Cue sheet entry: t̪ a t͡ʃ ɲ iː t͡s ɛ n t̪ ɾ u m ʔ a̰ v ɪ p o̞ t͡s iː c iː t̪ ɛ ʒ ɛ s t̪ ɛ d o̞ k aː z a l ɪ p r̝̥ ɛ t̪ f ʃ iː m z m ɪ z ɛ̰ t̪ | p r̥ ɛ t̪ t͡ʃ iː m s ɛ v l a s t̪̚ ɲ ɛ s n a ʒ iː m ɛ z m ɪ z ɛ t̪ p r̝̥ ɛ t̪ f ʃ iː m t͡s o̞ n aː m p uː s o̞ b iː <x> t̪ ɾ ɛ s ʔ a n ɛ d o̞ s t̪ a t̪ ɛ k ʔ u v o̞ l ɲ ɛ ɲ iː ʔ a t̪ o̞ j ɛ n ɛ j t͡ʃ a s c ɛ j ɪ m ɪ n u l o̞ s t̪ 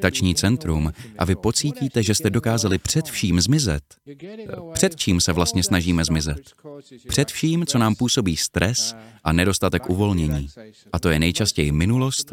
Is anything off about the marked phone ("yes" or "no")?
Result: yes